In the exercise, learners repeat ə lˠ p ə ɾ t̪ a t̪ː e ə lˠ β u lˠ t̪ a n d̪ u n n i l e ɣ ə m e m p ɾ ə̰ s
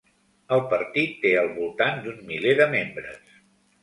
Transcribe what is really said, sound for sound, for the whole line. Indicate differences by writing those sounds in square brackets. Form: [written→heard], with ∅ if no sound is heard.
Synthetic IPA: ə lˠ p ə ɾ t̪ [a→i] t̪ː e ə lˠ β u lˠ t̪ a n d̪ u n [n→m] i l e [ɣ→ð] ə m e m [p→b] ɾ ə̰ s